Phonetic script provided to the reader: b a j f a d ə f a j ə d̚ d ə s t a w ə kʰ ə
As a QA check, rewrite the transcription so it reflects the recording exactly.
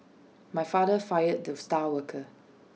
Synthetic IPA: m a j f a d ə f a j ə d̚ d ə s t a w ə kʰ ə